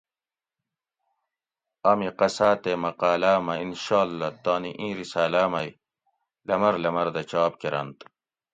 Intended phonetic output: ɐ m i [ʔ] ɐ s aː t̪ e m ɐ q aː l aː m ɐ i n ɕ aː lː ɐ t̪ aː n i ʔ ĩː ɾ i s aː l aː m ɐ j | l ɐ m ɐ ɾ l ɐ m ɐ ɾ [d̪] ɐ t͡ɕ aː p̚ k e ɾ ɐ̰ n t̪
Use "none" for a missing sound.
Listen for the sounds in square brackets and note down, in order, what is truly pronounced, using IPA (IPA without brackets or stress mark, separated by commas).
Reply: q, d̪